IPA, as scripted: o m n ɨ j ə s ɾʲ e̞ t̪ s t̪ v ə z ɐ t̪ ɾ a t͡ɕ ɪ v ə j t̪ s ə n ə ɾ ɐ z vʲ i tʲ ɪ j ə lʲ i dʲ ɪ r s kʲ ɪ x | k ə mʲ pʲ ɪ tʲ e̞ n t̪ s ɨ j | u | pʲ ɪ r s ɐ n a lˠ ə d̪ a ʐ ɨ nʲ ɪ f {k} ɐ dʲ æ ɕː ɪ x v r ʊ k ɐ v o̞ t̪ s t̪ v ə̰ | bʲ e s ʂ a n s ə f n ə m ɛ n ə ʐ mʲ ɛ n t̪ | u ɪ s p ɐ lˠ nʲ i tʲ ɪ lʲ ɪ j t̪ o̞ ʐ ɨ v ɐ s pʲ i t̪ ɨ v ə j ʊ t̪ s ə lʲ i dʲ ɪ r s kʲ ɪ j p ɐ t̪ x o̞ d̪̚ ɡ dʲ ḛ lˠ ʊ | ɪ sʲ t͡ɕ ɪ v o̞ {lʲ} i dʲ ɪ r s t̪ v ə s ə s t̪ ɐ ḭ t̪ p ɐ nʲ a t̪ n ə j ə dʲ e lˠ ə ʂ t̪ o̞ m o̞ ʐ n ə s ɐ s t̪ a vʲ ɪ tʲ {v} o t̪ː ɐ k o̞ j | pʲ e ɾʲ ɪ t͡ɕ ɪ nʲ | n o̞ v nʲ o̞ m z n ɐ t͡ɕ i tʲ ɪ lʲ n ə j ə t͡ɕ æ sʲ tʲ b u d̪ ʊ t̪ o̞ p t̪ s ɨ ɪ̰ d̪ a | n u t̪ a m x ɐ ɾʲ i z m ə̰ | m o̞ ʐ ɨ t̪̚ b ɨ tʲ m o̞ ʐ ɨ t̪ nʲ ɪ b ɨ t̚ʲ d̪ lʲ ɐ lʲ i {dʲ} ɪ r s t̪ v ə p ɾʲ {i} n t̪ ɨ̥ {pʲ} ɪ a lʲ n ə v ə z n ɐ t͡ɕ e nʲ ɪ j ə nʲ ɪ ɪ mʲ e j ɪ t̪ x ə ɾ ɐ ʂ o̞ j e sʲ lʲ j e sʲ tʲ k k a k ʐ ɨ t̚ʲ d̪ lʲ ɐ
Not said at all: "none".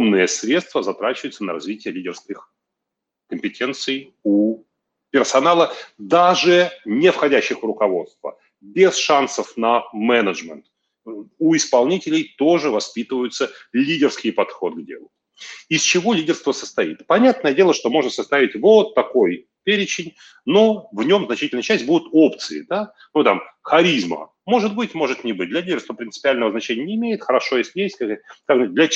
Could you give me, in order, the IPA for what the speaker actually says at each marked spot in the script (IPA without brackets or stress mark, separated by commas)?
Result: x, lʲ, v, dʲ, ɪ, pʲ